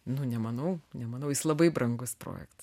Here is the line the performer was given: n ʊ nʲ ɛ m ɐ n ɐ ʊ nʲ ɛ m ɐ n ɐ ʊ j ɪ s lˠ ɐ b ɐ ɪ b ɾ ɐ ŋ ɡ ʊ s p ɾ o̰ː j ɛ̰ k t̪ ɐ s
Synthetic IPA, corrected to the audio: n ʊ nʲ ɛ m ɐ n ɐ ʊ nʲ ɛ m ɐ n ɐ ʊ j ɪ s lˠ ɐ b ɐ ɪ b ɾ ɐ ŋ ɡ ʊ s p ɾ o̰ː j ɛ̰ k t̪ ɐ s